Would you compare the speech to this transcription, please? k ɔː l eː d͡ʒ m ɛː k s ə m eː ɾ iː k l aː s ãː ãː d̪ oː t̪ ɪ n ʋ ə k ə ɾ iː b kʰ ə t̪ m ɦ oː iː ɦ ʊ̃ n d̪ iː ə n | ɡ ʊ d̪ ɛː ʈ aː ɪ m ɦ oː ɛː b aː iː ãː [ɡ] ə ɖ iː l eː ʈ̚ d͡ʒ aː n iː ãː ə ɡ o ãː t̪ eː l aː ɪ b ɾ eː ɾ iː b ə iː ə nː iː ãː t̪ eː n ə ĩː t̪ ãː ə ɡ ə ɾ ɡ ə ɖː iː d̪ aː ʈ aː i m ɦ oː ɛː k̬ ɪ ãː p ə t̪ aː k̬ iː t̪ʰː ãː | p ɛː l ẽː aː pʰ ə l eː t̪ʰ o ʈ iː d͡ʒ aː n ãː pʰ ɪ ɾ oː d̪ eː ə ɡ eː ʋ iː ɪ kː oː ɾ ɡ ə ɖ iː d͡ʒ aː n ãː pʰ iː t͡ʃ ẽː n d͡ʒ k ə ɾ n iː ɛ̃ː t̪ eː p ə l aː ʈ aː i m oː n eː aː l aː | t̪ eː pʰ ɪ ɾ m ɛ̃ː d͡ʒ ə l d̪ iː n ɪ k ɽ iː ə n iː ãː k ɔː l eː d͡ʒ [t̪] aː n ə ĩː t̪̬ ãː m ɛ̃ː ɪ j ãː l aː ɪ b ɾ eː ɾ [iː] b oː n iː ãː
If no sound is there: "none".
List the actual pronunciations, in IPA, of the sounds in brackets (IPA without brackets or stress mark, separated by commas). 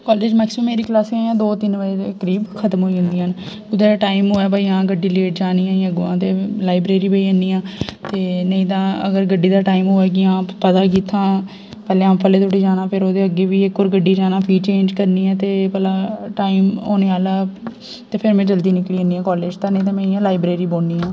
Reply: ɡ, t̪, iː